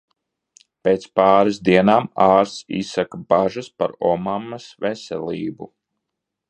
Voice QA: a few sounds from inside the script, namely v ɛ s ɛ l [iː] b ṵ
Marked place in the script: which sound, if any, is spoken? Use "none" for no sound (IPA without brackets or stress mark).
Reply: iː